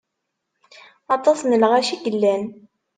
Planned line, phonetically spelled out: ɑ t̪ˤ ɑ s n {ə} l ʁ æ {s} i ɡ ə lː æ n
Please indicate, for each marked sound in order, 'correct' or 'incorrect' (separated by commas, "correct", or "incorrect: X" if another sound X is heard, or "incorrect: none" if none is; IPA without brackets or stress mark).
correct, incorrect: ʃ